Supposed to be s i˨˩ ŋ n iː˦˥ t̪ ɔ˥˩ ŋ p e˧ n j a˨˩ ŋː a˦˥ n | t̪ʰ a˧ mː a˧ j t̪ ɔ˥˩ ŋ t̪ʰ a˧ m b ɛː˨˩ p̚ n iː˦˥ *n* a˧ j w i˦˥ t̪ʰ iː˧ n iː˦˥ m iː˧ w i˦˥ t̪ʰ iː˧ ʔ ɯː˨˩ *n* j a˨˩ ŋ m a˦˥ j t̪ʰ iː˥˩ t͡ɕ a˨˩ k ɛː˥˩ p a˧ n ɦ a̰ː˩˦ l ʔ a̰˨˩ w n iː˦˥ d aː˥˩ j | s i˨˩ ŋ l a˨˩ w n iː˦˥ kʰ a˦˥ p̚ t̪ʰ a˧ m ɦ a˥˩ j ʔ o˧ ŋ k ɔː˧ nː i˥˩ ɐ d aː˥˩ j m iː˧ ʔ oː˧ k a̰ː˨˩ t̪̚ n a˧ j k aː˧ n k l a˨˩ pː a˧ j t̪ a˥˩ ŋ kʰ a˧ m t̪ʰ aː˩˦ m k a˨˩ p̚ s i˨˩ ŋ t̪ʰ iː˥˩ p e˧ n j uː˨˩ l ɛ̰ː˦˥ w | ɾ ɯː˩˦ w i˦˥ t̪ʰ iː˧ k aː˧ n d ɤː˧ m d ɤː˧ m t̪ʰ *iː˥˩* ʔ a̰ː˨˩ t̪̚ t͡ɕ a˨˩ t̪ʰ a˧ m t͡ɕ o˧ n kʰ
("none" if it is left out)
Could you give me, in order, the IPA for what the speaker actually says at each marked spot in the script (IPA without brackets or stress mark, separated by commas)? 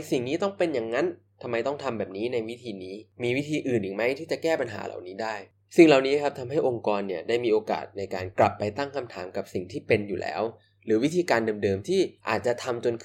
n, n, iː˥˩